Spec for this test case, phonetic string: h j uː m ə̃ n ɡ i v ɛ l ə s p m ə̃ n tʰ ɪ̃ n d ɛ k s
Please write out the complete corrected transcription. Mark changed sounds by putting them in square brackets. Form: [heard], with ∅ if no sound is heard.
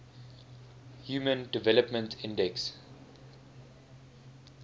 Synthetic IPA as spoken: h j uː m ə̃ n [d] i v ɛ l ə [∅] p m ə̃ n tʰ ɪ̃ n d ɛ k s